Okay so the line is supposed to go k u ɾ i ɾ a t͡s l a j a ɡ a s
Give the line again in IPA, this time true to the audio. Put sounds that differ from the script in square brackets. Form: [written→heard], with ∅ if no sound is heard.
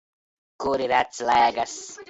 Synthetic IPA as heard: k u ɾ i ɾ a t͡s l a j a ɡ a s